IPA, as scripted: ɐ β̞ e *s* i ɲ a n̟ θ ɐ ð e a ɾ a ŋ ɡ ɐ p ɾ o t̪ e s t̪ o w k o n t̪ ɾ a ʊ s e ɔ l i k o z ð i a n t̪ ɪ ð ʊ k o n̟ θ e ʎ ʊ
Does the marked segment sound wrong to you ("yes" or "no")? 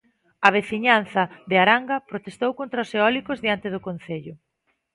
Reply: yes